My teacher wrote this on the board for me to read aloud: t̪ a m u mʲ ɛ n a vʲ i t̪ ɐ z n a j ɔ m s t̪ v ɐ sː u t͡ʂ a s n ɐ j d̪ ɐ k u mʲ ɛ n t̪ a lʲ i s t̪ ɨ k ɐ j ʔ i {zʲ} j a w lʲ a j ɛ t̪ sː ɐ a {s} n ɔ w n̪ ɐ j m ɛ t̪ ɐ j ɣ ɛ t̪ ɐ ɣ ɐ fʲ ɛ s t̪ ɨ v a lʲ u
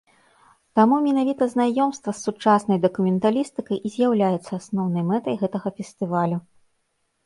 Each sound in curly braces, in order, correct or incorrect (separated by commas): correct, correct